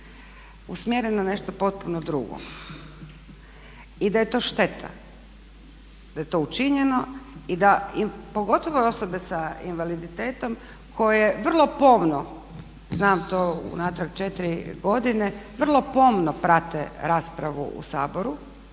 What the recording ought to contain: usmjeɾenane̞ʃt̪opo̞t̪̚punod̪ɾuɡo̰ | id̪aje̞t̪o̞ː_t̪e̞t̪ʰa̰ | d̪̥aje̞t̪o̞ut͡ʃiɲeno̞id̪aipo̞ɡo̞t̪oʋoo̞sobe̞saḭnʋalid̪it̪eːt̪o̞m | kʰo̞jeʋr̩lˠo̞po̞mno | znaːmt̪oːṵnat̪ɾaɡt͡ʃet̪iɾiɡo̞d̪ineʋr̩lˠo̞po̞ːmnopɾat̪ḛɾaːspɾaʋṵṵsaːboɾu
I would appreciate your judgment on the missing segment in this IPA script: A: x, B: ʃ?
B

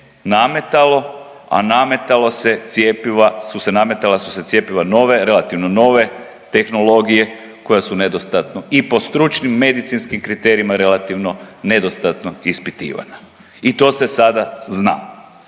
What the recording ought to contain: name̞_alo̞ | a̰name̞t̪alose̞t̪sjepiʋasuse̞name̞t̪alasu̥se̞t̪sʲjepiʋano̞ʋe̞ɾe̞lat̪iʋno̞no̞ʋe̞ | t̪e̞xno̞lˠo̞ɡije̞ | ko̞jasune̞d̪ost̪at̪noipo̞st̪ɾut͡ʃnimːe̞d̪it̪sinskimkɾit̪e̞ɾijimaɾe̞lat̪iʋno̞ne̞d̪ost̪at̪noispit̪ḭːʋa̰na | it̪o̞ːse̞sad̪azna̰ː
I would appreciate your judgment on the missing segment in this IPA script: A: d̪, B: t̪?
B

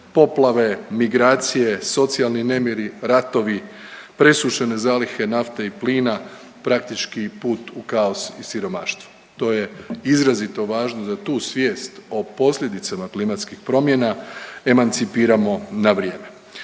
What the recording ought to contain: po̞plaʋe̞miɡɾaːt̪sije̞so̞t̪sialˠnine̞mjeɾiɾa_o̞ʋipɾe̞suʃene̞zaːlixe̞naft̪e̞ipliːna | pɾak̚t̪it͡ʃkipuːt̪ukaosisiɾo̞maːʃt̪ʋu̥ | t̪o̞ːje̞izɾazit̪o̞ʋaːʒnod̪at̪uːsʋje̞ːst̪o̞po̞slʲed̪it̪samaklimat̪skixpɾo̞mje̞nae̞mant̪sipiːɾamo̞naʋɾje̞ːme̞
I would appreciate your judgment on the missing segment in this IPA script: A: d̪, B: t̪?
B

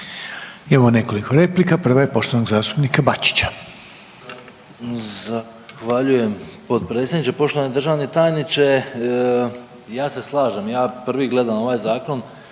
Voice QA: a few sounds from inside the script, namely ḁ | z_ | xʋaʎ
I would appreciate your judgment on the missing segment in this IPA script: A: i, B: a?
B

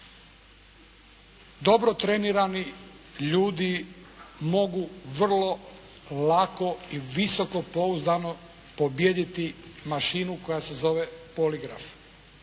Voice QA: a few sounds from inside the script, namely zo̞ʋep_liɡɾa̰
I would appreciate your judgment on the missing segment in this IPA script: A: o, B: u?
A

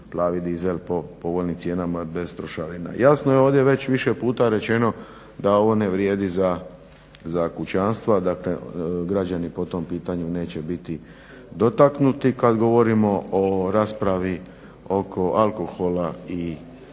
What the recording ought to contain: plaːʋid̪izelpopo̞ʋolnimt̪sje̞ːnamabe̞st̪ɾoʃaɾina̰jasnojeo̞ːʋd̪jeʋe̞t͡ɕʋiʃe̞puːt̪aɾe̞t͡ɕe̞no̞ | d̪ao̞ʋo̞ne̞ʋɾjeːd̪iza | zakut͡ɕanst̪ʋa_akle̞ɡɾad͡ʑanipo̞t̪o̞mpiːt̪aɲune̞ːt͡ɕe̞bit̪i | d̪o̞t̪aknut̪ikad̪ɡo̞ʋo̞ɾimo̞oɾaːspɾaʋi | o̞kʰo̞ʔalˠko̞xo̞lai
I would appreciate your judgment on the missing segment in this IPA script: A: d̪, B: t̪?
A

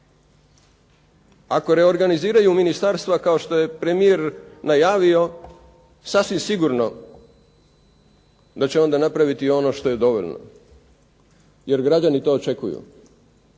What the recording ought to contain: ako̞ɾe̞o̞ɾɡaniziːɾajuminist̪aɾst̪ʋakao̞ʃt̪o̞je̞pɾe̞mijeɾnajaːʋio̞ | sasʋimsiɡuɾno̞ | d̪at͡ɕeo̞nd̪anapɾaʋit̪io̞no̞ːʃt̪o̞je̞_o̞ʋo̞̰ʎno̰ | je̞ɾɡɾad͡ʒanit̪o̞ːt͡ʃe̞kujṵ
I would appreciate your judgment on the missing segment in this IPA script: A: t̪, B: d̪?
B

